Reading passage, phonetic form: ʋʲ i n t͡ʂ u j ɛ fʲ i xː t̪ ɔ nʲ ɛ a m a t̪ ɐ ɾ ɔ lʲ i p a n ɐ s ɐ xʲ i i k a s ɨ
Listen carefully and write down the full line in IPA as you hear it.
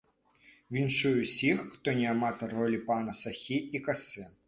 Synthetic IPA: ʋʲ i n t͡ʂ u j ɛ sʲ i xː t̪ ɔ nʲ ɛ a m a t̪ ɐ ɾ ɔ lʲ i p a n ɐ s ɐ xʲ i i k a s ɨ